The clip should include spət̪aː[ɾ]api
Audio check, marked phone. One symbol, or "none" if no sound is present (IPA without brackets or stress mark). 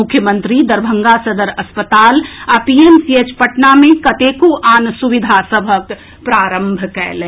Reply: l